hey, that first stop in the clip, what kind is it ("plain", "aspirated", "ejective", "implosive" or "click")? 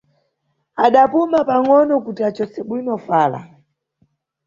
implosive